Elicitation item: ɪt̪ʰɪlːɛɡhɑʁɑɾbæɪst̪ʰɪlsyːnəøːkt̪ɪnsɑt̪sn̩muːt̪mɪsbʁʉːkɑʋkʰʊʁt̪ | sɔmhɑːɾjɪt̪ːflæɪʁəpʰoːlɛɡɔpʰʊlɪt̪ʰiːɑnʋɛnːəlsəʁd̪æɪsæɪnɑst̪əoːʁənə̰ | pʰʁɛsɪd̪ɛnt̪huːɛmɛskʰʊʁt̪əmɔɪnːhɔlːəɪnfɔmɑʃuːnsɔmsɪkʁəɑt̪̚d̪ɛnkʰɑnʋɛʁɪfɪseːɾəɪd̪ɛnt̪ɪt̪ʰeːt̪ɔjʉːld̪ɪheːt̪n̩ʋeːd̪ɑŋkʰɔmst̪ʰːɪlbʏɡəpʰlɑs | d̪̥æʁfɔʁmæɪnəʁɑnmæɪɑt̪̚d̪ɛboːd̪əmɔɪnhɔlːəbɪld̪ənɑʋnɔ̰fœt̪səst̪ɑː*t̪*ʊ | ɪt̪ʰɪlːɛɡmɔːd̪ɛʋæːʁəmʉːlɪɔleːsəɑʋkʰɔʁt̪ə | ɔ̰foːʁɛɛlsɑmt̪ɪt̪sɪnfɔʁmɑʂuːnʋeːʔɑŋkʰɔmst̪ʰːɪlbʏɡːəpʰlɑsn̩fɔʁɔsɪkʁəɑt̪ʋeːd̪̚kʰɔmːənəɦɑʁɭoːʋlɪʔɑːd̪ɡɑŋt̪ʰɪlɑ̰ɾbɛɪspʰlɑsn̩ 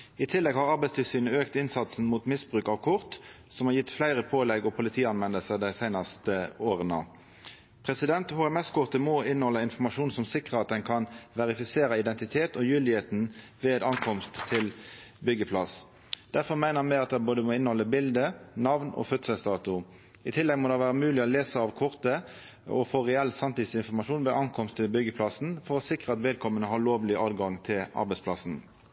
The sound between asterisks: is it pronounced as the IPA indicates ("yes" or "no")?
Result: yes